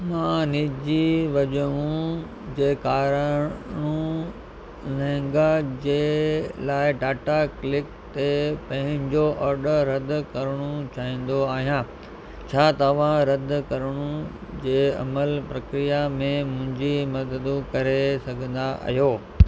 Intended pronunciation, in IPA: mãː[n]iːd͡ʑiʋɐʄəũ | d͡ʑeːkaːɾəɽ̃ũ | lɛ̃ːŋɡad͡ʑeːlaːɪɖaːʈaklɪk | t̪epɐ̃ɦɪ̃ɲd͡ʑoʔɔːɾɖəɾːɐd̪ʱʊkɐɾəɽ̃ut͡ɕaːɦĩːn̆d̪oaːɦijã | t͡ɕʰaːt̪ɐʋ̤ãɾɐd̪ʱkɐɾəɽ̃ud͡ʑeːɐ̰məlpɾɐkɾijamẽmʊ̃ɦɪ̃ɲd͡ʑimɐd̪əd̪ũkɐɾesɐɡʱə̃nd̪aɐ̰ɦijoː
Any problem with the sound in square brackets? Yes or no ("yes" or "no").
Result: no